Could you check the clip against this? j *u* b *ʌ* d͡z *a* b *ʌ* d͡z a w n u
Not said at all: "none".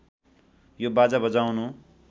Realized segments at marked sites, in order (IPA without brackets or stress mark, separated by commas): o, a, a, ʌ